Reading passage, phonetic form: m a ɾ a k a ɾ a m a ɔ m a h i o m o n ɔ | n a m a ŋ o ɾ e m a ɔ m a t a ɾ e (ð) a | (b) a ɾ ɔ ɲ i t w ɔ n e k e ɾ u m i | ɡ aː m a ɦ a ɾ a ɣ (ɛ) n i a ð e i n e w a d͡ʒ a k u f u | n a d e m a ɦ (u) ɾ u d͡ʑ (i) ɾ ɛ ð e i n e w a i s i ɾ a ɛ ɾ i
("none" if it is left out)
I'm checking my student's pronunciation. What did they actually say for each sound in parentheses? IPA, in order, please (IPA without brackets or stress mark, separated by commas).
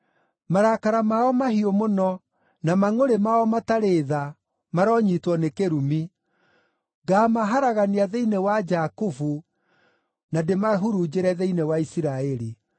ð, m, a, u, e